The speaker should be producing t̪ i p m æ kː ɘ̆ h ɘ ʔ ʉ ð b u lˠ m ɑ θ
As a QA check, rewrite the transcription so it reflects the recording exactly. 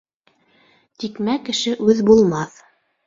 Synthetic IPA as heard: t̪ i k m æ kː ɘ̆ ʃ ɘ ʔ ʉ ð b u lˠ m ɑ θ